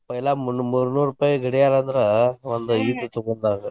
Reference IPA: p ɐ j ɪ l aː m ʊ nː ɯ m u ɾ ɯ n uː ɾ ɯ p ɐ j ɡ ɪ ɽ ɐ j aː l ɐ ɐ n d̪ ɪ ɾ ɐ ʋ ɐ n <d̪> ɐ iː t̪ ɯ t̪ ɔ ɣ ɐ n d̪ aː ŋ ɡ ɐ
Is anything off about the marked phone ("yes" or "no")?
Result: no